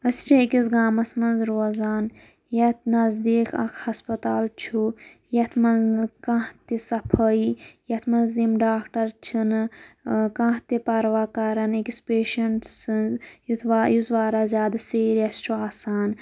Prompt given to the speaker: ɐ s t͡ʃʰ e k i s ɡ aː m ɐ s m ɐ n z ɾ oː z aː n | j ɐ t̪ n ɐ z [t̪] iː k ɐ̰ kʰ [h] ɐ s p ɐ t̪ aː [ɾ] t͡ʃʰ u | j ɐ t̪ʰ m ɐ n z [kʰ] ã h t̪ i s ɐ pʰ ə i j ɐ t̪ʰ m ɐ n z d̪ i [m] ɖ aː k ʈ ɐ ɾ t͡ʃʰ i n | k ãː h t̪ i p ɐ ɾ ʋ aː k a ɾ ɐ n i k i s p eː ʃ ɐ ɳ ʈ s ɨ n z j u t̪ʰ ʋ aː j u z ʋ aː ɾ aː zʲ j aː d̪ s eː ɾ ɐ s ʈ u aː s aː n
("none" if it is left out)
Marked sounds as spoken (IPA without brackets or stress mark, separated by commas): d̪, h, l, k, m